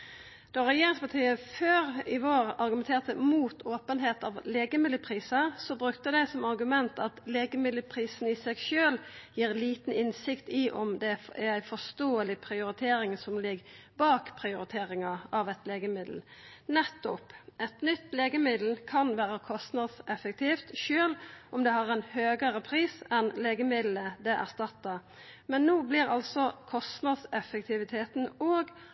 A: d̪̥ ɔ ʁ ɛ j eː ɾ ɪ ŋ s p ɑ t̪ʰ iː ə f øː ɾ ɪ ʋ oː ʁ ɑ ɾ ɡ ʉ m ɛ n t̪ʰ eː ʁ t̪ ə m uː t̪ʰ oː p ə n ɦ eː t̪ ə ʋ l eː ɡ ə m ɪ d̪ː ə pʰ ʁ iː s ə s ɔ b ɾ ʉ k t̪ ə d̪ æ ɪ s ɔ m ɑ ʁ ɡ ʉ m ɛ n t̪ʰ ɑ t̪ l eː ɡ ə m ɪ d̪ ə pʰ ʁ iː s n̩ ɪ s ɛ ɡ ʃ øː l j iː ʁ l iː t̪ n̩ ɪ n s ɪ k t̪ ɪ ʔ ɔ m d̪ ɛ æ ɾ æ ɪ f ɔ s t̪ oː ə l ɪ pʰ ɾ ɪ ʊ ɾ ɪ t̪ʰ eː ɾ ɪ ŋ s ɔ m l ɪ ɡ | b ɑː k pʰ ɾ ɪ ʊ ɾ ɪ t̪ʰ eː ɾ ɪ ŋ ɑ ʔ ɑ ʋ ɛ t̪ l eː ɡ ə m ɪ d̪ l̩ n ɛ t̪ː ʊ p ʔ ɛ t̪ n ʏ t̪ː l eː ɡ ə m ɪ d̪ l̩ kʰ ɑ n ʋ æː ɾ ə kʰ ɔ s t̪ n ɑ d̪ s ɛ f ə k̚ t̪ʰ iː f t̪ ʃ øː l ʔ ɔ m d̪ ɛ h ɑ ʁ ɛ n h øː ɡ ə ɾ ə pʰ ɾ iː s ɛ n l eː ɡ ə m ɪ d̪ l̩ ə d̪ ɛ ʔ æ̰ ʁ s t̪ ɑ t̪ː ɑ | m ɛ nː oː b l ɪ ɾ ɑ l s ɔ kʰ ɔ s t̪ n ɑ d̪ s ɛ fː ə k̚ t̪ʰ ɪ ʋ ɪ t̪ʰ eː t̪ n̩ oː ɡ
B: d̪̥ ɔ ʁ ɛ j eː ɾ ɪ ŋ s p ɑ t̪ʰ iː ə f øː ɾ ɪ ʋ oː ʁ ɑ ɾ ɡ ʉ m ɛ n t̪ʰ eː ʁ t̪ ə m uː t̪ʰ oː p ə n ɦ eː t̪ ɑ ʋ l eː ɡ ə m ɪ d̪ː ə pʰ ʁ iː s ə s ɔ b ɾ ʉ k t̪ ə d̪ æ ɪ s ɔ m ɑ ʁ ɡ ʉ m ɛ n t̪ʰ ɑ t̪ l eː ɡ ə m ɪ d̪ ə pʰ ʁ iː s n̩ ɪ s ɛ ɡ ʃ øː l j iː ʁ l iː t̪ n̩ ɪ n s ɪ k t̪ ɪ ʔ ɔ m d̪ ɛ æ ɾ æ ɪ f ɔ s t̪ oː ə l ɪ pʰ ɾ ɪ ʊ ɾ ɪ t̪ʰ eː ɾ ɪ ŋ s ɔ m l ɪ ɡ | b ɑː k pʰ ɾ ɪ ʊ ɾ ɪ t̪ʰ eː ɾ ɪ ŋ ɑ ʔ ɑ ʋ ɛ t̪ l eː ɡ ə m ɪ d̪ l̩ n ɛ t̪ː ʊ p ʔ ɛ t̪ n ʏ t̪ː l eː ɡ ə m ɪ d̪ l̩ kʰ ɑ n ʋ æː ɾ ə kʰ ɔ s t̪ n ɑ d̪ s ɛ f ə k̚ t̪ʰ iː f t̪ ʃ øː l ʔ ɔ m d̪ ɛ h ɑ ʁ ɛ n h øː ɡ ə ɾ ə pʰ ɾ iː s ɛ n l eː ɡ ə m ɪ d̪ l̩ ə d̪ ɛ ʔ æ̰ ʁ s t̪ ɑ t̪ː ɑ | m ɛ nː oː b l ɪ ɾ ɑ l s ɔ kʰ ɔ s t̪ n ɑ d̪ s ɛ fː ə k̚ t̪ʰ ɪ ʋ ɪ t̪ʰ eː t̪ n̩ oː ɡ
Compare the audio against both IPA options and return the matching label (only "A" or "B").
B